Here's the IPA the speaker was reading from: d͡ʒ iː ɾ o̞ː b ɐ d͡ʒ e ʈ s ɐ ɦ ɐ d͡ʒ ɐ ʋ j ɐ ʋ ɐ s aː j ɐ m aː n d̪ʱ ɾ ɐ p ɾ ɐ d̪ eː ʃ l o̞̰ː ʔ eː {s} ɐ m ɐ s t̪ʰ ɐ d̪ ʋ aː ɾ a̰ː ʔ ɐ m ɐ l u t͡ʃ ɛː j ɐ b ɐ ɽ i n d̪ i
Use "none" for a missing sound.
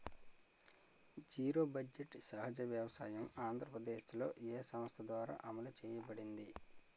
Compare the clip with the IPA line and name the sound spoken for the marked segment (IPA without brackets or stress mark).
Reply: s